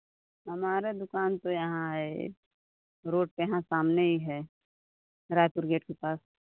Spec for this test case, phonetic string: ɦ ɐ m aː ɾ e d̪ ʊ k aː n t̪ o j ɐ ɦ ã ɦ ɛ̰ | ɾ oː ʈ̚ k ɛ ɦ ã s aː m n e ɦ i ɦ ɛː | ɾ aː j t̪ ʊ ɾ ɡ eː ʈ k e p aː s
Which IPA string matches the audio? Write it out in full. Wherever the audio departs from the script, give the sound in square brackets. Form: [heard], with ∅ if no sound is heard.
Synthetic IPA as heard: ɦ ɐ m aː ɾ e d̪ ʊ k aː n t̪ o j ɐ ɦ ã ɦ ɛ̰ | ɾ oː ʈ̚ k [e] ɦ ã s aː m n e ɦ i ɦ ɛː | ɾ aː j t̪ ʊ ɾ ɡ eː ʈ k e p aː s